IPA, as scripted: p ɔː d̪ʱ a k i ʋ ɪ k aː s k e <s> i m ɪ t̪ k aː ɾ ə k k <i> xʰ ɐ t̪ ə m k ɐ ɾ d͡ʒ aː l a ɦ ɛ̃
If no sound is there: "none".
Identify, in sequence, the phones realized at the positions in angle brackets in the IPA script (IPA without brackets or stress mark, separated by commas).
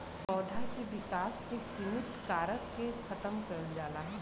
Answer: s, e